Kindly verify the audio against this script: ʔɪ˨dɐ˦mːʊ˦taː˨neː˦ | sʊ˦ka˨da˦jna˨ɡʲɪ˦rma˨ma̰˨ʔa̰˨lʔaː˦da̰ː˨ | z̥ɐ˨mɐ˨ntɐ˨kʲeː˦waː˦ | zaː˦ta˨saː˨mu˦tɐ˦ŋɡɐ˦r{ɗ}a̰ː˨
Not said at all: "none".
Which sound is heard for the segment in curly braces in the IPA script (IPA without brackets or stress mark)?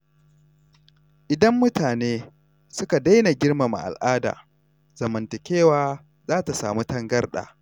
ɗ